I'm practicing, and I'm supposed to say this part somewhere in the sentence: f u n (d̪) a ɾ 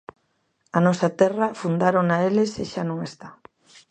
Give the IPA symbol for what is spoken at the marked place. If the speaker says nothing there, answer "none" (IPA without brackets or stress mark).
d̪